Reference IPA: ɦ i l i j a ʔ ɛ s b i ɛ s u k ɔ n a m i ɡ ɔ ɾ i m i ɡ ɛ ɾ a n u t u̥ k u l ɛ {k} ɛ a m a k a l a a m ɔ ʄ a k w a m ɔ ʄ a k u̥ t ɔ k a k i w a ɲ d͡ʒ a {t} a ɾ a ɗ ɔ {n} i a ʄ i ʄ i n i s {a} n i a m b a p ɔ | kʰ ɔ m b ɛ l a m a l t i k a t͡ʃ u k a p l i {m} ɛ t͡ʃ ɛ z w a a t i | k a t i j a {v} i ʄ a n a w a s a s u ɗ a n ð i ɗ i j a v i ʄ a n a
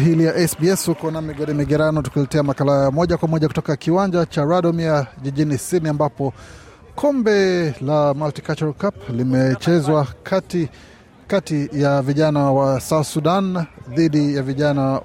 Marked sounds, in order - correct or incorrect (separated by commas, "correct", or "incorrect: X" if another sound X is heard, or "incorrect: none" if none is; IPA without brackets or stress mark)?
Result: incorrect: t, incorrect: t͡ʃ, incorrect: m, incorrect: i, correct, correct